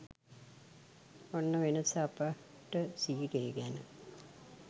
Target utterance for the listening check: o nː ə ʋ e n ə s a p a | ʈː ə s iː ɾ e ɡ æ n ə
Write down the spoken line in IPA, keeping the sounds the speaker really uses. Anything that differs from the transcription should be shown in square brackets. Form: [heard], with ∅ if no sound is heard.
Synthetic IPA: o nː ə ʋ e n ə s a p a | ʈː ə s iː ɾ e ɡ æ n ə